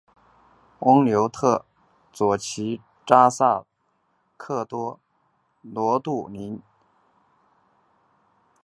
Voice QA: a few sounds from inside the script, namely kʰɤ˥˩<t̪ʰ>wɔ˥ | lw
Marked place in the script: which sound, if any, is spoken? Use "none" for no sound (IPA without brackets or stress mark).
t̪